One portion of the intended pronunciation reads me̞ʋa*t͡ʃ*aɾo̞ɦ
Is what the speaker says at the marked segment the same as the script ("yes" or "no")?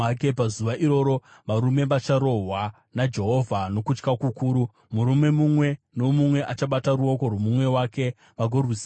yes